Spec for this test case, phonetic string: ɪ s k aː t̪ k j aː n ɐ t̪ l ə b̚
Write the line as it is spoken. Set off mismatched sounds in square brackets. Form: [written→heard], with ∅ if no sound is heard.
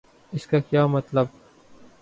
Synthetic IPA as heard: ɪ s k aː [t̪→∅] k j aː [n→m] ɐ t̪ l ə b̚

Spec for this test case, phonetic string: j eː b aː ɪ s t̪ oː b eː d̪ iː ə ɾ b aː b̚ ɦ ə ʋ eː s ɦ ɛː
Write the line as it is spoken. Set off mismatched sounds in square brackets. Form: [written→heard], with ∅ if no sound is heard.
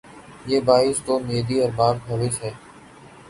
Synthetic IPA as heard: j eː b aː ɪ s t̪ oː [b→m] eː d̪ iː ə ɾ b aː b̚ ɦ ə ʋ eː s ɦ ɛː

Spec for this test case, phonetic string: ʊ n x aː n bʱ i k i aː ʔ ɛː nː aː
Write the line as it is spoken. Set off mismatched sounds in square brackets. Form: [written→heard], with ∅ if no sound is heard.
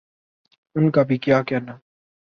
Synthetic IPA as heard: ʊ n [x→k] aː [n→∅] bʱ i k [i→j] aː [ʔ→k] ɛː [nː→n] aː

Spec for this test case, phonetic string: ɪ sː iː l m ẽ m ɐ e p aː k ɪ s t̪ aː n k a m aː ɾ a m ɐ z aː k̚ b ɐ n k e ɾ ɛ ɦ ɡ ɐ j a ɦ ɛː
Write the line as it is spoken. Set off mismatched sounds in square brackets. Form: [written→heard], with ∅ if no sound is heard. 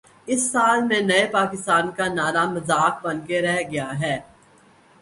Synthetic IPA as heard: ɪ sː [iː→aː] l m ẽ [m→n] ɐ e p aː k ɪ s t̪ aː n k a [m→n] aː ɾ a m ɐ z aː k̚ b ɐ n k e ɾ ɛ ɦ ɡ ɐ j a ɦ ɛː

